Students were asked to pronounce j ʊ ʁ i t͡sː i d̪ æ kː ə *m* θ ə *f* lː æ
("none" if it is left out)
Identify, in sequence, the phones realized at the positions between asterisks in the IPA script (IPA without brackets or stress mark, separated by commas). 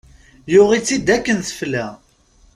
n, f